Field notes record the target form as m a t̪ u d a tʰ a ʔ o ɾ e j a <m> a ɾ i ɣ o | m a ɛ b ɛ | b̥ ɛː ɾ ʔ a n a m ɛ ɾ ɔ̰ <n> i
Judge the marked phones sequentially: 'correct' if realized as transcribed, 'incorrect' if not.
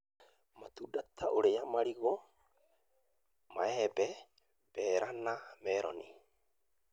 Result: correct, correct

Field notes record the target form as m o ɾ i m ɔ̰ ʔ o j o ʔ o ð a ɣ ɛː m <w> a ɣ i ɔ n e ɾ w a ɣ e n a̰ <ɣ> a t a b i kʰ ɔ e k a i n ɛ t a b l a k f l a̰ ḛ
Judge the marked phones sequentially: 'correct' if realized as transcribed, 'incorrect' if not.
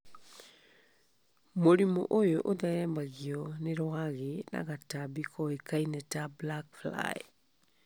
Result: incorrect, correct

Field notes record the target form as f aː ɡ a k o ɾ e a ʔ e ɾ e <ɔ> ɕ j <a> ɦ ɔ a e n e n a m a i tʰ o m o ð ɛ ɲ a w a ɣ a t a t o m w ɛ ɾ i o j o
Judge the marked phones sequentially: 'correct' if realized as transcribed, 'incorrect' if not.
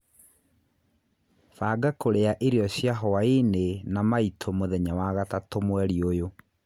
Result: correct, correct

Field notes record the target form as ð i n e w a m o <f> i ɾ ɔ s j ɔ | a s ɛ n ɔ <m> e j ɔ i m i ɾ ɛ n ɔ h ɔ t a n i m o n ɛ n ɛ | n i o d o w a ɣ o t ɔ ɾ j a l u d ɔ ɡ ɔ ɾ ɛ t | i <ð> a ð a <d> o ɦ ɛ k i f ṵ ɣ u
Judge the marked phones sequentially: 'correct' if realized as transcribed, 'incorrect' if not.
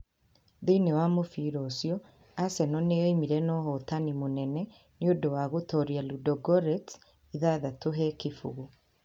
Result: correct, incorrect, correct, incorrect

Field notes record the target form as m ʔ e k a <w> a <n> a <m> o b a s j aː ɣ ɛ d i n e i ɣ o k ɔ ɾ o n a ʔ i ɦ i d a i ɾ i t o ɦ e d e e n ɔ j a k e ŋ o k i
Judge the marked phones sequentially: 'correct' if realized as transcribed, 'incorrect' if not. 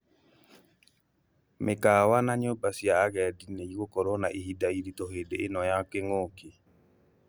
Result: correct, correct, incorrect

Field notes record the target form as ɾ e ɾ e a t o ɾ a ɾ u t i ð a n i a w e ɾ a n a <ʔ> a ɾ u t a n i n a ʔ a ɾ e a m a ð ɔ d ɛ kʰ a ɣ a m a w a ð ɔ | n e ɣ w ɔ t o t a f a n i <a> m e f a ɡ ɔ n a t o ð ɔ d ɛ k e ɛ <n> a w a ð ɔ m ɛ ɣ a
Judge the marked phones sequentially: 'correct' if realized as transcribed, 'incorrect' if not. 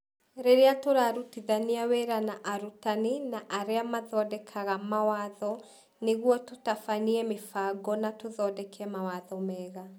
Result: correct, incorrect, incorrect

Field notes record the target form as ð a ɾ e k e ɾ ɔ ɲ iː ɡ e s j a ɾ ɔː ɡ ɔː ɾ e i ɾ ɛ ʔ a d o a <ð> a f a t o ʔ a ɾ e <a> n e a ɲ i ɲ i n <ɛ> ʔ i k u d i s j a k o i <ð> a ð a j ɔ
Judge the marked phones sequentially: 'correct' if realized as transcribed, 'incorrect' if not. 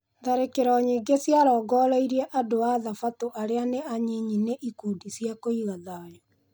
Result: correct, correct, incorrect, incorrect

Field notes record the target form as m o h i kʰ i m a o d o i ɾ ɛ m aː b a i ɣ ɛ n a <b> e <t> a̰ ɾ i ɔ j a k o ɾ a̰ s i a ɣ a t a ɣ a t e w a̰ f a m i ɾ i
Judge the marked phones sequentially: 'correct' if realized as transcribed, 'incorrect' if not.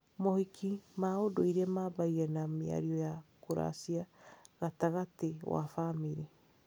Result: incorrect, incorrect

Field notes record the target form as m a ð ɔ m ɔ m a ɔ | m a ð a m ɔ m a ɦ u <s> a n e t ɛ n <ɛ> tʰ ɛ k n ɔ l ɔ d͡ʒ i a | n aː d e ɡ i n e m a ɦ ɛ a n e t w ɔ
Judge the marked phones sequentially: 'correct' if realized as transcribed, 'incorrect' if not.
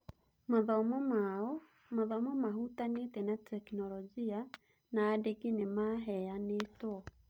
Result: incorrect, incorrect

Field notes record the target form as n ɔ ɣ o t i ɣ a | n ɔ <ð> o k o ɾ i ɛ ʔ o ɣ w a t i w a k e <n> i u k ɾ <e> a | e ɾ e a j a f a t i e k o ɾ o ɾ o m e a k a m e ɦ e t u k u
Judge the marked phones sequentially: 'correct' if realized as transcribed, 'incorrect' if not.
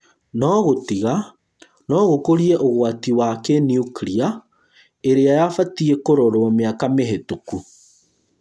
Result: incorrect, correct, incorrect

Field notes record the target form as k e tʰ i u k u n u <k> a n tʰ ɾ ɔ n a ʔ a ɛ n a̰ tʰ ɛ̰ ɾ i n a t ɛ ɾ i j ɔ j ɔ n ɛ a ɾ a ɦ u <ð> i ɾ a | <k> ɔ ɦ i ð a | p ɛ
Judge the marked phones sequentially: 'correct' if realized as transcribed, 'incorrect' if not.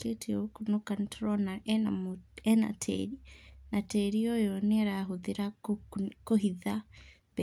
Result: correct, correct, correct

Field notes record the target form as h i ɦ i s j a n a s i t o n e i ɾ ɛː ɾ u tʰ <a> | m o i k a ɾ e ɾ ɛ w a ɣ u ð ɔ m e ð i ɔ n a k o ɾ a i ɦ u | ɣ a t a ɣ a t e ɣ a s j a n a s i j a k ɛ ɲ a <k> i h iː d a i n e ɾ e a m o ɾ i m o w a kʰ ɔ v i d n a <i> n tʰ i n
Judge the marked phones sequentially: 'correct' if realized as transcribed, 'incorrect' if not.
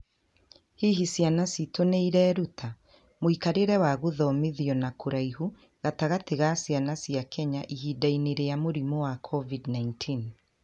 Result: correct, incorrect, correct

